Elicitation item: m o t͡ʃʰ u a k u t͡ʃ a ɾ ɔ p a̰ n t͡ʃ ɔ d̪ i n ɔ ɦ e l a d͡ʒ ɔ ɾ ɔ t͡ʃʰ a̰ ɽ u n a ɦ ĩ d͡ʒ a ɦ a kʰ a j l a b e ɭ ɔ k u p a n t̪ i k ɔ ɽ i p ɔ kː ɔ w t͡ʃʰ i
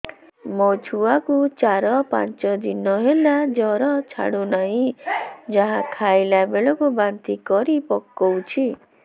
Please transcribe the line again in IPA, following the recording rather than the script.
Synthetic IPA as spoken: m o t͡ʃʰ u a k u t͡ʃ a ɾ ɔ p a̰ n t͡ʃ ɔ d̪ i n ɔ ɦ e l a d͡ʒ ɔ ɾ ɔ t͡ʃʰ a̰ ɽ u n a ɦ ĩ d͡ʒ a ɦ a kʰ a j l a b e ɭ ɔ k u b a n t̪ i k ɔ ɾ i p ɔ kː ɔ w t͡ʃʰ i